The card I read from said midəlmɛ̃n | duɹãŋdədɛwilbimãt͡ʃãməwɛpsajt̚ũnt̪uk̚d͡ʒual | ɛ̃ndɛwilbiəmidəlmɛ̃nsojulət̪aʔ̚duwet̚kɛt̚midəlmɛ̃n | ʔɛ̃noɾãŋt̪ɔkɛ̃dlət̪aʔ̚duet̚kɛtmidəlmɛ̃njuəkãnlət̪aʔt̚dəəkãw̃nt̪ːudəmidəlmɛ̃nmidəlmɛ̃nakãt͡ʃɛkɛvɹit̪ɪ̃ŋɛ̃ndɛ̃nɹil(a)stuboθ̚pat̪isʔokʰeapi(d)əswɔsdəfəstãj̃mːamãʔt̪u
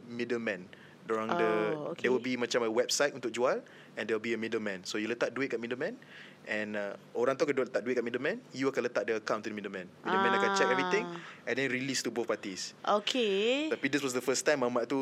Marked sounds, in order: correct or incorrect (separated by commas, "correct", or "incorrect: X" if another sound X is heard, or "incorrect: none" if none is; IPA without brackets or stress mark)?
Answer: incorrect: i, correct